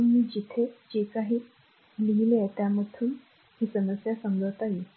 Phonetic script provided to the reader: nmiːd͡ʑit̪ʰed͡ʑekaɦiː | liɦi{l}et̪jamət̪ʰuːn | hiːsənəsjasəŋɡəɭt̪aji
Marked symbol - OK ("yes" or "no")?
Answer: yes